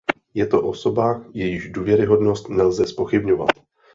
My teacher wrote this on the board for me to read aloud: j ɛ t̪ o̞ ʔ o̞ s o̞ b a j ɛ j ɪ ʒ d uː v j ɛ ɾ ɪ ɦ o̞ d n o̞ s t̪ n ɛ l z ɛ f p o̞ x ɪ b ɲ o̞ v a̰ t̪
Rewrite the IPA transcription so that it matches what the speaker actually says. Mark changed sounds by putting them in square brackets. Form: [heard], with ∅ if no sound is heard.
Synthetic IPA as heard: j ɛ t̪ o̞ ʔ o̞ s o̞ b a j ɛ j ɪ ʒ d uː v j ɛ ɾ ɪ ɦ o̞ d n o̞ s t̪ n ɛ l z ɛ [s] p o̞ x ɪ b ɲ o̞ v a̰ t̪